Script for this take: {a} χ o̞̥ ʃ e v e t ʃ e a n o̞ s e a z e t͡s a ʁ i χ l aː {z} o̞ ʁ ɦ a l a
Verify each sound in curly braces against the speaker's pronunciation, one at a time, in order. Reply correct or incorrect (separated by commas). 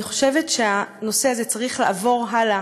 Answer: incorrect, incorrect